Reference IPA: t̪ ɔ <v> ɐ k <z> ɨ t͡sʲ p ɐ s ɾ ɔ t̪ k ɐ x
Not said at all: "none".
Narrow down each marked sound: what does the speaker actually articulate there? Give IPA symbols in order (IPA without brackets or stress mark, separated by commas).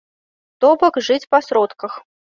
b, ʐ